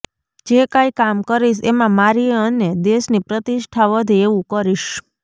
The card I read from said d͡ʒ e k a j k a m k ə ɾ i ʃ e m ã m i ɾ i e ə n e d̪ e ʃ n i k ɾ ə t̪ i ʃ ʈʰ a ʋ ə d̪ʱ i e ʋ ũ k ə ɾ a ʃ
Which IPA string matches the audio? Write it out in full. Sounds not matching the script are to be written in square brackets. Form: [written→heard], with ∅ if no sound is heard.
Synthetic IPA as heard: d͡ʒ e k a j k a m k ə ɾ i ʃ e m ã m [i→a] ɾ i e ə n e d̪ e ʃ n i [k→p] ɾ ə t̪ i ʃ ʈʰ a ʋ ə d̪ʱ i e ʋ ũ k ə ɾ [a→i] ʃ